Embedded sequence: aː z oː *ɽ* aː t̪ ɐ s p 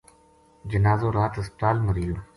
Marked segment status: incorrect: ɾ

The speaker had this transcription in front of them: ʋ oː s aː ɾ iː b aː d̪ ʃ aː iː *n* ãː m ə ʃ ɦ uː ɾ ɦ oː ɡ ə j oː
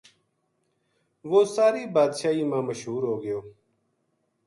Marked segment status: incorrect: m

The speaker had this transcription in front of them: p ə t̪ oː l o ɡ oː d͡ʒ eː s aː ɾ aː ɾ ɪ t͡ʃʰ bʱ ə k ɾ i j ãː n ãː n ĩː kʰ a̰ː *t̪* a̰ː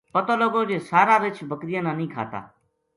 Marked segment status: correct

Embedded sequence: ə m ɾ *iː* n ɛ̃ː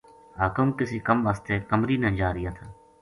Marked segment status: correct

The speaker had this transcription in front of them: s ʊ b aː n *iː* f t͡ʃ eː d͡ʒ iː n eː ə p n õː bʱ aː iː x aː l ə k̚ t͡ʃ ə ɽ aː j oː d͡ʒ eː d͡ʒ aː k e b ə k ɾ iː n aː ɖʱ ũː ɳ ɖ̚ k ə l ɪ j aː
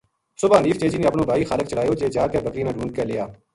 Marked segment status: correct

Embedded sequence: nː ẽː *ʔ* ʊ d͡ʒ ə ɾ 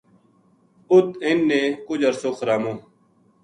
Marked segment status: incorrect: k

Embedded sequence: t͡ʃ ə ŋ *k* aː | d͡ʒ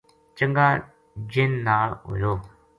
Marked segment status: incorrect: ɡ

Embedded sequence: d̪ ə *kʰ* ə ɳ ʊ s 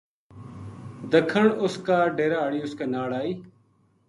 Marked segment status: correct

